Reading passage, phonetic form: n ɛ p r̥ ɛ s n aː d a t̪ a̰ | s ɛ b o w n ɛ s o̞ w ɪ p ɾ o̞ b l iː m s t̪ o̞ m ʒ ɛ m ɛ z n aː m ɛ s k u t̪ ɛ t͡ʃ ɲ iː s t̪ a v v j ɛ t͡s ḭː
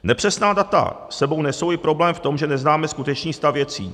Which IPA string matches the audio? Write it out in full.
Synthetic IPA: n ɛ p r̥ ɛ s n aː d a t̪ a̰ | s ɛ b o w n ɛ s o̞ w ɪ p ɾ o̞ b l ɛː m f t̪ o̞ m ʒ ɛ n ɛ z n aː m ɛ s k u t̪ ɛ t͡ʃ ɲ iː s t̪ a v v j ɛ t͡s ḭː

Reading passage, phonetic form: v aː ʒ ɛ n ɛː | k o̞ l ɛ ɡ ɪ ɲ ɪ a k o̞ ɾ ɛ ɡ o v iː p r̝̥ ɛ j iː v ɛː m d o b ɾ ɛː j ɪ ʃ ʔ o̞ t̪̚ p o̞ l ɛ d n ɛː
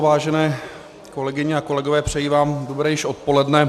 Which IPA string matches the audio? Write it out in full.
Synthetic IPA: v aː ʒ ɛ n ɛː | k o̞ l ɛ ɡ ɪ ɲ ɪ a k o̞ l ɛ ɡ o v ɛː p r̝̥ ɛ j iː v aː m d o b ɾ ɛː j ɪ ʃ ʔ o̞ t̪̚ p o̞ l ɛ d n ɛ

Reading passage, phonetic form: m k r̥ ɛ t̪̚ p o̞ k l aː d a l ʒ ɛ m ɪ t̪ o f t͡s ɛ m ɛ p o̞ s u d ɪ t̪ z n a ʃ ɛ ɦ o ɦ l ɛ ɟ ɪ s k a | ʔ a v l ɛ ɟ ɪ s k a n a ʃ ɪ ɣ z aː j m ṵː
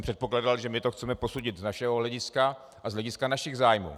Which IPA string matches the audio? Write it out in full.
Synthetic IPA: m p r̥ ɛ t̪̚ p o̞ k l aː d a l ʒ ɛ m ɪ t̪ o x t͡s ɛ m ɛ p o̞ s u ɟ ɪ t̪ z n a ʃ ɛ ɦ o ɦ l ɛ ɟ ɪ s k a | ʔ a z l ɛ ɟ ɪ s k a n a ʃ ɪ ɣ z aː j m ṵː

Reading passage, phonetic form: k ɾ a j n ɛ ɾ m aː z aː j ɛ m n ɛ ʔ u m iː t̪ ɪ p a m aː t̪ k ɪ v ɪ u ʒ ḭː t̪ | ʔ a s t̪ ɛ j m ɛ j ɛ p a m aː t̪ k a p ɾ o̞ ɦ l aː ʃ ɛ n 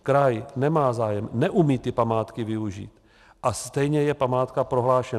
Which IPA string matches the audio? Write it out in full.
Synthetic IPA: k ɾ a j n ɛ m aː z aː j ɛ m n ɛ ʔ u m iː t̪ ɪ p a m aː t̪ k ɪ v ɪ u ʒ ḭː t̪ | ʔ a s t̪ ɛ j ɲ ɛ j ɛ p a m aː t̪ k a p ɾ o̞ ɦ l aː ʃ ɛ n

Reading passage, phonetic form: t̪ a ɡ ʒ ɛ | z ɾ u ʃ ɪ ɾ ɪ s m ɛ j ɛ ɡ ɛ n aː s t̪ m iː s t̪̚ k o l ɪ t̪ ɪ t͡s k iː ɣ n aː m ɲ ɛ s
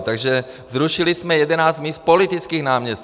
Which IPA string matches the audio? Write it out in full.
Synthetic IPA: t̪ a ɡ ʒ ɛ | z ɾ u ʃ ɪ l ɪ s m ɛ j ɛ d ɛ n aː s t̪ m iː s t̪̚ p o l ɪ t̪ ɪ t͡s k iː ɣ n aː m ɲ ɛ s

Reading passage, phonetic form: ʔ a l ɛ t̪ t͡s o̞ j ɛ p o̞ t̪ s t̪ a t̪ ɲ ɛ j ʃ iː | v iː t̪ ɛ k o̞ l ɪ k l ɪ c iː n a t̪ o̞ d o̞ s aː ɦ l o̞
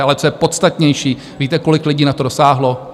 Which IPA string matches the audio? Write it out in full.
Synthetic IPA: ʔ a l ɛ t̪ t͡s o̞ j ɛ p o̞ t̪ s t̪ a t̪ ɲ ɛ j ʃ iː | v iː t̪ ɛ k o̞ l ɪ k l ɪ ɟ iː n a t̪ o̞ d o̞ s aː ɦ l o̞

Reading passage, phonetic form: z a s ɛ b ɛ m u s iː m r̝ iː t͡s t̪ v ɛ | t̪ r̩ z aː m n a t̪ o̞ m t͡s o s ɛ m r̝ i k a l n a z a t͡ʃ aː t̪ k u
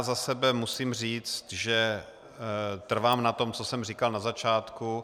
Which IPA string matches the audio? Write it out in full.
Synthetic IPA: z a s ɛ b ɛ m u s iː m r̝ iː t͡s t̪ ʒ ɛ | t̪ r̩ v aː m n a t̪ o̞ m t͡s o s ɛ m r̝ i k a l n a z a t͡ʃ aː t̪ k u

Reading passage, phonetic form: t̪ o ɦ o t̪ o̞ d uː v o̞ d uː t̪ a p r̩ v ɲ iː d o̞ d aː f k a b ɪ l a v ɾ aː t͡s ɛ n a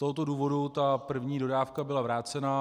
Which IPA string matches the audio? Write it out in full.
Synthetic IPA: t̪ o ɦ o t̪ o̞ d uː v o̞ d u t̪ a p r̩ v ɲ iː d o̞ d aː f k a b ɪ l a v ɾ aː t͡s ɛ n a

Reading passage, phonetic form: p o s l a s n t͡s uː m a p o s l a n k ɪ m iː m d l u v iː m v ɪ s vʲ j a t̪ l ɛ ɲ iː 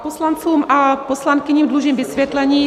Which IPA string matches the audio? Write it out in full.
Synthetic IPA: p o s l a n t͡s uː m a p o s l a n k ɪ ɲ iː m d l u ʒ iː m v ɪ s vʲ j ɛ t̪ l ɛ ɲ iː

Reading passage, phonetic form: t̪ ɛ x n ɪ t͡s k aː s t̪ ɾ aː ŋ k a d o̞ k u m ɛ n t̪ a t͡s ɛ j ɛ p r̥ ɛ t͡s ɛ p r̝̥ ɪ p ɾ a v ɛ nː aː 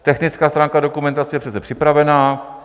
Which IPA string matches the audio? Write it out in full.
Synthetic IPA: t̪ ɛ x n ɪ t͡s k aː s t̪ ɾ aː ŋ k a d o̞ k u m ɛ n t̪ a t͡s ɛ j ɛ p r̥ ɛ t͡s ɛ p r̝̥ ɪ p ɾ a v ɛ n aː

